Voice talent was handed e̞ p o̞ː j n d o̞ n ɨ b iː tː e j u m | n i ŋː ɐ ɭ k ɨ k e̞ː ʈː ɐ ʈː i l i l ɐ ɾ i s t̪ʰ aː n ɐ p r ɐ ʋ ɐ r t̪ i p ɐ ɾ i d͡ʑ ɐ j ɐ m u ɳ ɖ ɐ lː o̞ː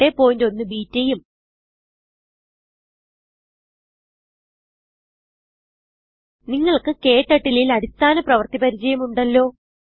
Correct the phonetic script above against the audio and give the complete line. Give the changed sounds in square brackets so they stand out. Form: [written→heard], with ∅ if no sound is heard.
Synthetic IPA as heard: e̞ p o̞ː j n d o̞ [n→nː] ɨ b iː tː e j u m | n i ŋː ɐ ɭ k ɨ k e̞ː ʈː ɐ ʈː i l i l ɐ ɾ i s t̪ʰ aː n ɐ p r ɐ ʋ ɐ r t̪ i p ɐ ɾ i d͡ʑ ɐ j ɐ m u ɳ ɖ ɐ lː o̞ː